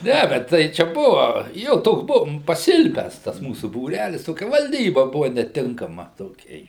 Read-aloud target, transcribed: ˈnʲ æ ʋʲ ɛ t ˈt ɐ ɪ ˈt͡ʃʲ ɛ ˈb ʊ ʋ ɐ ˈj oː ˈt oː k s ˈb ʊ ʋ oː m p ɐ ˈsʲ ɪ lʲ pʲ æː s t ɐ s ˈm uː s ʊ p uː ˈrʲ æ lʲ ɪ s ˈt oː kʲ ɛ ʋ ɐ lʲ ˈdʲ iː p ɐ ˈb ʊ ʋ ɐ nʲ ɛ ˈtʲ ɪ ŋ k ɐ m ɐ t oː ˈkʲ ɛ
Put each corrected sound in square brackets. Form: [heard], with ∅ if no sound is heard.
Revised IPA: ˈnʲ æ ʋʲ ɛ t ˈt ɐ ɪ ˈt͡ʃʲ ɛ ˈb ʊ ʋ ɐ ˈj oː ˈt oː k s ˈb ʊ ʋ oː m p ɐ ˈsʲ ɪ lʲ pʲ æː s t ɐ s ˈm uː s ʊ [b] uː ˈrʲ æ lʲ ɪ s ˈt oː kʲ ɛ ʋ ɐ lʲ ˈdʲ iː [b] ɐ ˈb ʊ ʋ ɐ nʲ ɛ ˈtʲ ɪ ŋ k ɐ m ɐ t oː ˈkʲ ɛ